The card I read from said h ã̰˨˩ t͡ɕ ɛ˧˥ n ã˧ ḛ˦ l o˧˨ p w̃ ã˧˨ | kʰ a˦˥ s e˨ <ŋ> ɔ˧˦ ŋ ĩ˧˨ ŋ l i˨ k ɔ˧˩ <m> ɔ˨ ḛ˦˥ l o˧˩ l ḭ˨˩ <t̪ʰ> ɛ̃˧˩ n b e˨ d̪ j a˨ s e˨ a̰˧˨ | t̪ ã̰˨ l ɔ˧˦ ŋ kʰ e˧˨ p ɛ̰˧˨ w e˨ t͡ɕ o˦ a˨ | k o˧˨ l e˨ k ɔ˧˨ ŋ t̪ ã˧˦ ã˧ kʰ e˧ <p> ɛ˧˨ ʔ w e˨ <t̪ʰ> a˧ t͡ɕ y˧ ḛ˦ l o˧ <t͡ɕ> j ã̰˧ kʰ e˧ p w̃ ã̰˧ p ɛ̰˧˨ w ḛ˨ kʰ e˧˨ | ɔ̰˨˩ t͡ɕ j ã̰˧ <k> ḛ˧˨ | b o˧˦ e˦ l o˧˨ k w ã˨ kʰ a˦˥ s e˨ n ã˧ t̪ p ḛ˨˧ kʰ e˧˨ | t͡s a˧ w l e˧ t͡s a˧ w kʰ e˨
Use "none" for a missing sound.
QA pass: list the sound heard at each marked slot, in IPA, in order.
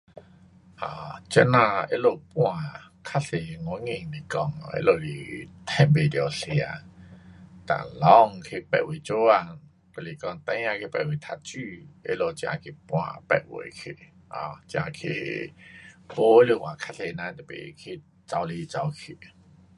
ŋ, ŋ, t̪ʰ, p, t̪ʰ, t͡ɕ, kʰ

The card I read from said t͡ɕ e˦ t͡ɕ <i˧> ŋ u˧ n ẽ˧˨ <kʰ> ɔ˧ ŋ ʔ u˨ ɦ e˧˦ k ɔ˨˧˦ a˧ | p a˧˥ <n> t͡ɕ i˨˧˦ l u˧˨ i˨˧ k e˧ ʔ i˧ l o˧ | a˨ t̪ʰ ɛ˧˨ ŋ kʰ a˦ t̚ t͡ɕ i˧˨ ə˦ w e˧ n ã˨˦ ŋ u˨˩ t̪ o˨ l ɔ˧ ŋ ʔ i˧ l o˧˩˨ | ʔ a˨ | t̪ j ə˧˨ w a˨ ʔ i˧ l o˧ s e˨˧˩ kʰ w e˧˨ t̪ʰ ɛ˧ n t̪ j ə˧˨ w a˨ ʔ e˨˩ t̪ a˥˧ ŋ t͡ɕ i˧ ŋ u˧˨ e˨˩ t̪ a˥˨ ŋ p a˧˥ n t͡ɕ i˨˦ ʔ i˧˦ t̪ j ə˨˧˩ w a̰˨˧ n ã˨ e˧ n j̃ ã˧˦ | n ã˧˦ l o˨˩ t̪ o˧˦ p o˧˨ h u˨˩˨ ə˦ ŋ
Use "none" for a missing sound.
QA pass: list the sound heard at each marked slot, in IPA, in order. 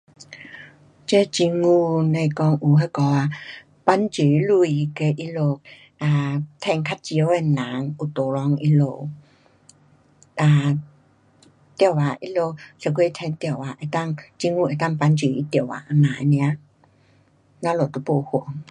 i˧, k, n

